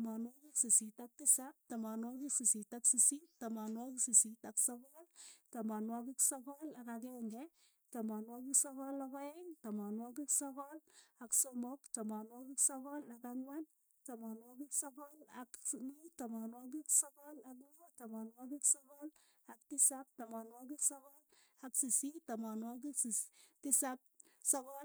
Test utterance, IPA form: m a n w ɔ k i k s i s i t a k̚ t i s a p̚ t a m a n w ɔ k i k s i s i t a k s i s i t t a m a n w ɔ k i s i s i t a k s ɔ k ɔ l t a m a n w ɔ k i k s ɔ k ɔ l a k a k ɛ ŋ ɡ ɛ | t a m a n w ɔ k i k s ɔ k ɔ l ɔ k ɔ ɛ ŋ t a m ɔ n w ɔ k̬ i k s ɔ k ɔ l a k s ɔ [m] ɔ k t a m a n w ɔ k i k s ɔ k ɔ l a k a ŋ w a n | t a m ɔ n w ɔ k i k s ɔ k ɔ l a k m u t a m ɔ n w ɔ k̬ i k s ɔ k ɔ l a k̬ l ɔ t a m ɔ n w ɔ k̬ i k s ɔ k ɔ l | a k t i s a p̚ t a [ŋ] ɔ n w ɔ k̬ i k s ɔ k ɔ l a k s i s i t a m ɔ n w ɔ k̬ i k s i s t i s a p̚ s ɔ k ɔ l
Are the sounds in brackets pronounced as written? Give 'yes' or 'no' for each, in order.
yes, no

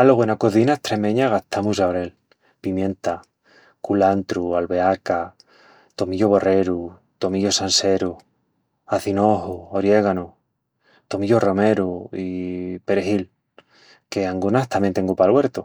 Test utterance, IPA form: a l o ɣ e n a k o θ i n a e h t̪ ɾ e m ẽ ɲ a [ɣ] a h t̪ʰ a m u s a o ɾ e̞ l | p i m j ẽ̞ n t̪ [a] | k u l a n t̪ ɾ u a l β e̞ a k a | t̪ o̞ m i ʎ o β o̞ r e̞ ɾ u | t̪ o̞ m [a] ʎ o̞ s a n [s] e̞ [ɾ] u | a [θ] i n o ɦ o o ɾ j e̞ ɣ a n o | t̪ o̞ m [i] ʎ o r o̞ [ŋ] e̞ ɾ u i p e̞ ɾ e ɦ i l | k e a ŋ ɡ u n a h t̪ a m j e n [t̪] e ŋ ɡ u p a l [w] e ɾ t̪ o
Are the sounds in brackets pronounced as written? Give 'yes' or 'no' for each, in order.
yes, yes, no, yes, yes, yes, yes, no, yes, yes

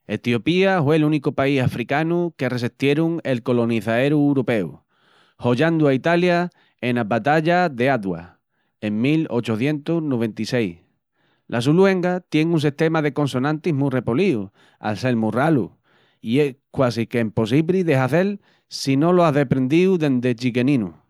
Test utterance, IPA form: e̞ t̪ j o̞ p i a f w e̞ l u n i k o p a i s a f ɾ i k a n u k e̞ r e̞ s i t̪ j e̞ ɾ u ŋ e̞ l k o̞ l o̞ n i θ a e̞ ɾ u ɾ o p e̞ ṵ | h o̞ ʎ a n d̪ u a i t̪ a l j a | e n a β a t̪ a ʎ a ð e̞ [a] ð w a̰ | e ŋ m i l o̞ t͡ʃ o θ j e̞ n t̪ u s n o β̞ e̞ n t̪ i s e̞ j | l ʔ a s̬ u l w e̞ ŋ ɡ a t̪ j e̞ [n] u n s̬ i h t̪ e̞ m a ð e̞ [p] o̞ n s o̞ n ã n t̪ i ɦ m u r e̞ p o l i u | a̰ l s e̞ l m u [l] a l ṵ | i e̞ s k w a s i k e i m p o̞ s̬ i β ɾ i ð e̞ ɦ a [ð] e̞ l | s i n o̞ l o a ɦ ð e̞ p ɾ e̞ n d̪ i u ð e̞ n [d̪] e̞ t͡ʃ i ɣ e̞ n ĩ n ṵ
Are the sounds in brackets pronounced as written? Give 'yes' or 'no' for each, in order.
yes, no, no, no, no, yes

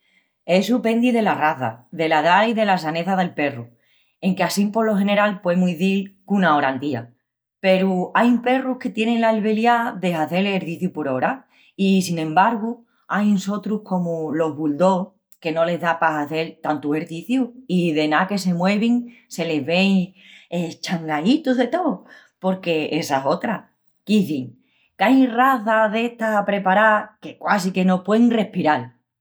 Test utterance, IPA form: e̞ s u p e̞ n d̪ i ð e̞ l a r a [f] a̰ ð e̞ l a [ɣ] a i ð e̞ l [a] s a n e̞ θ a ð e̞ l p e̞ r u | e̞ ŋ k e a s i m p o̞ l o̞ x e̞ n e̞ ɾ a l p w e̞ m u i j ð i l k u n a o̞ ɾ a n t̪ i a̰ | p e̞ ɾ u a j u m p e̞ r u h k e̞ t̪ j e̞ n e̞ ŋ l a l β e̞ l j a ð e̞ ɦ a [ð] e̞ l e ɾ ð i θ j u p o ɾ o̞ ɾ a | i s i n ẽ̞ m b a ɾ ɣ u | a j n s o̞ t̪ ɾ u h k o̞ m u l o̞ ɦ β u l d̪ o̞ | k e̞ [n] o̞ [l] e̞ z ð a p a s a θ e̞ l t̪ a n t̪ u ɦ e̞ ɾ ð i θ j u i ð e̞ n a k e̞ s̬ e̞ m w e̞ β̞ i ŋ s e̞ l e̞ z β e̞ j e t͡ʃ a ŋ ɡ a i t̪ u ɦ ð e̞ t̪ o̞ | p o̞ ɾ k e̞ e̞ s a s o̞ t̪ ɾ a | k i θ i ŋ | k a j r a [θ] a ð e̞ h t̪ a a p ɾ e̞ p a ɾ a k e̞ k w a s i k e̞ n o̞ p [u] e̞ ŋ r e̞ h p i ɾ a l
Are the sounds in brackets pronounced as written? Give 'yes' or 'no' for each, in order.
no, no, yes, no, yes, yes, yes, no

